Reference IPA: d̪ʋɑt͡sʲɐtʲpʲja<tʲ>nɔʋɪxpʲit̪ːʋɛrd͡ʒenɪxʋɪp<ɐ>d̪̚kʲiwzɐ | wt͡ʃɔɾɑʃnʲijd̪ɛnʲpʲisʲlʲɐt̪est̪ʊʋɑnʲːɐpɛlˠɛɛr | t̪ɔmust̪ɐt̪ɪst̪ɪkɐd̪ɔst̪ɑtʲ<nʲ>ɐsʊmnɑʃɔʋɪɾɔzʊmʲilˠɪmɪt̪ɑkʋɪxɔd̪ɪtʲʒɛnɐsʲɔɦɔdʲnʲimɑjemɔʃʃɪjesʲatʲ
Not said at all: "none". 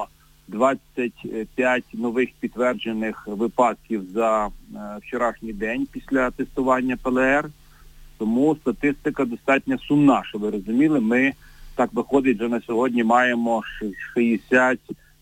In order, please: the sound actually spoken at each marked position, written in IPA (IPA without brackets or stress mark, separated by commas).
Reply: tʲ, ɑ, nʲ